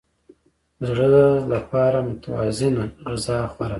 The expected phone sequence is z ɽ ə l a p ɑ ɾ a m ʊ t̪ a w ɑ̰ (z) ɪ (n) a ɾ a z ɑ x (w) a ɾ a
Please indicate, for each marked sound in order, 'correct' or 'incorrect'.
correct, correct, correct

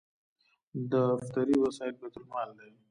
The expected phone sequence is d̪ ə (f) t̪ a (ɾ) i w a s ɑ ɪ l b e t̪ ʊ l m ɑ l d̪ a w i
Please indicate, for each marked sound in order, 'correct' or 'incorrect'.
correct, correct

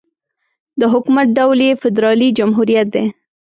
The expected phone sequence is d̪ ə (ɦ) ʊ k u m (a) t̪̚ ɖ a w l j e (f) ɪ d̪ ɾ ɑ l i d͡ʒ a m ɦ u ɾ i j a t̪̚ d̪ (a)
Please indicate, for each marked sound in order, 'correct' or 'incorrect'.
correct, correct, correct, incorrect: e

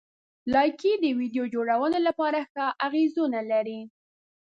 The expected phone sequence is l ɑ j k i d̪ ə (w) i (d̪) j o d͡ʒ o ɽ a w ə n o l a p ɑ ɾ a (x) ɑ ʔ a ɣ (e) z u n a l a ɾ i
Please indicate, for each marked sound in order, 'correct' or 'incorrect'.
correct, correct, correct, correct

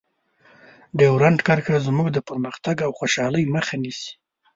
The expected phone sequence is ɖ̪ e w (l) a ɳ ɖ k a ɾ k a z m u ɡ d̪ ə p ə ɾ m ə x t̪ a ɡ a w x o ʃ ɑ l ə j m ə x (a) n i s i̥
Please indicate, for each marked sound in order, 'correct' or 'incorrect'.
incorrect: ɾ, correct

